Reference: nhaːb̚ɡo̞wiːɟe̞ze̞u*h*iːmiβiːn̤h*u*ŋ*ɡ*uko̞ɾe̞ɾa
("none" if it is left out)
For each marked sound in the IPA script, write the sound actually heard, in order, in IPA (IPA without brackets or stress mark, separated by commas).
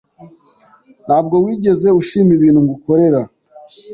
ʃ, u, ɡ